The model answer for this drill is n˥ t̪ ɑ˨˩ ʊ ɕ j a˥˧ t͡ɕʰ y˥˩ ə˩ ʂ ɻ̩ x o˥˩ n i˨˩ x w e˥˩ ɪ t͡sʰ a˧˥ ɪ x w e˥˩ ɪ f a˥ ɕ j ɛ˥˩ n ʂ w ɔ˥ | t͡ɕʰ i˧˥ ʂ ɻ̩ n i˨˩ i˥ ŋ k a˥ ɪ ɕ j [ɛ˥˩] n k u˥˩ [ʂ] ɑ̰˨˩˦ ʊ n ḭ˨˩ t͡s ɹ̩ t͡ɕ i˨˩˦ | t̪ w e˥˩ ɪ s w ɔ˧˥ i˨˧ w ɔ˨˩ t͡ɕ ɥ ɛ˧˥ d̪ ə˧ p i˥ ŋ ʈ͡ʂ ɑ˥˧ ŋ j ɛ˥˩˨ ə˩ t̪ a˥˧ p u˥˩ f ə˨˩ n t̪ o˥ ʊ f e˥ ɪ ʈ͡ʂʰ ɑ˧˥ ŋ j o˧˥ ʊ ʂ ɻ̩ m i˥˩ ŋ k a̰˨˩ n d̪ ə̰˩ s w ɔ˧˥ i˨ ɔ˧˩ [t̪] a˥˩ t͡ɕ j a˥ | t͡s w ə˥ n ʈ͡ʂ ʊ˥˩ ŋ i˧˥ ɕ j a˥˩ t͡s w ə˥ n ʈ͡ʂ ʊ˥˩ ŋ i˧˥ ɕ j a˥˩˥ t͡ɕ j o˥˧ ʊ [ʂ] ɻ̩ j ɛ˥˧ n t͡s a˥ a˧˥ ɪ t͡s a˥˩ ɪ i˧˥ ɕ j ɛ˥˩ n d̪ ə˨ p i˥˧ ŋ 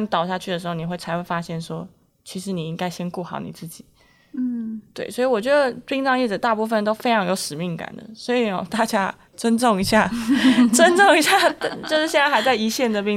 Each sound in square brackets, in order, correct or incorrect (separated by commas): incorrect, incorrect, correct, correct